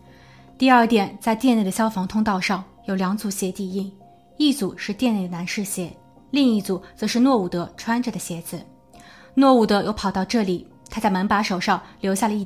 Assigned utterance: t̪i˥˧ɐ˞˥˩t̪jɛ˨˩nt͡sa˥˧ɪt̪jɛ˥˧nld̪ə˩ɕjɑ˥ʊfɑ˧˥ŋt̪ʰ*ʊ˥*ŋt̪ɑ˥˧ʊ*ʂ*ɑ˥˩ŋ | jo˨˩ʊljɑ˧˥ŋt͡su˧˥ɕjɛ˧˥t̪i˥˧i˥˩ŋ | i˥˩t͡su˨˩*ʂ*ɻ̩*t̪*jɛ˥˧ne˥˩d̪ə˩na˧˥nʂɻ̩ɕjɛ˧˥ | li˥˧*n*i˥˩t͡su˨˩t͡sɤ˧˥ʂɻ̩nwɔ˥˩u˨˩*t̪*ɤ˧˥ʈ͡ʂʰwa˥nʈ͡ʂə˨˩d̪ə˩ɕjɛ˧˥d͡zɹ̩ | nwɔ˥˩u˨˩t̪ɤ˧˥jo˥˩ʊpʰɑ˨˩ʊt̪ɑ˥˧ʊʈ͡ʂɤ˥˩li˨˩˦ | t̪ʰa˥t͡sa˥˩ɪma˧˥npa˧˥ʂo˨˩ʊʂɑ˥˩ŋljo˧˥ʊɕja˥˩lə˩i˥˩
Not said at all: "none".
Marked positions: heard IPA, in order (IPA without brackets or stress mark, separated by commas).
ʊ˥, ʂ, ʂ, t̪, ŋ, t̪